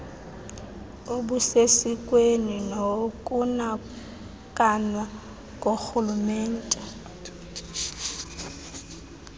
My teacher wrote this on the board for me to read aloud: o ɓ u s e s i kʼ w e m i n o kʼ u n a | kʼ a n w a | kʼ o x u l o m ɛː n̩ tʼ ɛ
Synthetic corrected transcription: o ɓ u s e s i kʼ w e n i n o kʼ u n a | kʼ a n w a | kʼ o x u l u m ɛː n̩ tʼ ɛ